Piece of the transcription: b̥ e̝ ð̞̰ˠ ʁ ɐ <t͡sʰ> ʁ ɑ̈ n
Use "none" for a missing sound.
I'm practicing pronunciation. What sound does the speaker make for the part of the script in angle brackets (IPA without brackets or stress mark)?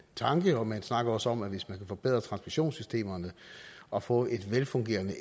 t͡sʰ